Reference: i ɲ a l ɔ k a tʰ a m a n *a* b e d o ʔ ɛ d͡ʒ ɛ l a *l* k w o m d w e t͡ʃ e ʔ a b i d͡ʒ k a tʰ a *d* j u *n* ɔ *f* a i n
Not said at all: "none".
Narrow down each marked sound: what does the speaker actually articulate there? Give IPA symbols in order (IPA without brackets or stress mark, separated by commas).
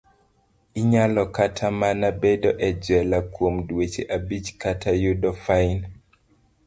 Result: a, none, none, d, f